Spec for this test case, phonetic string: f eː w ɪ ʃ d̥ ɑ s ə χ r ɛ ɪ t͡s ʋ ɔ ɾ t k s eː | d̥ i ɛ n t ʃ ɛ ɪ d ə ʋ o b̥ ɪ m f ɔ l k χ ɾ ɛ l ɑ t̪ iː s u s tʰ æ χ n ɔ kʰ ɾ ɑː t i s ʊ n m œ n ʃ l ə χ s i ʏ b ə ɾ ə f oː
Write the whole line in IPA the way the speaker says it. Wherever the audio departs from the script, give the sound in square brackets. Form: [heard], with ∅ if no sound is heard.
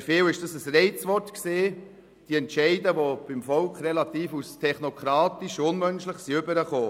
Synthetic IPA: f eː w ɪ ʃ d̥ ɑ s ə [s] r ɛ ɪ t͡s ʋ ɔ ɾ t k s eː | d̥ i ɛ n t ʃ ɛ ɪ d ə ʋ o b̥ ɪ m f ɔ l k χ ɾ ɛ l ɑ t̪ iː [f] u s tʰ [ɛ] χ n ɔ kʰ ɾ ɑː t i [ʃ] ʊ n m œ n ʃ l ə χ s i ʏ b ə ɾ ə [χ] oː